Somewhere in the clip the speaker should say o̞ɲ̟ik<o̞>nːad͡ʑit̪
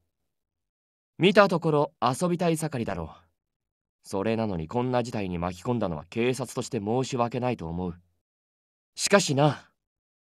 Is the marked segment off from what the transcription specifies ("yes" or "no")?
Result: yes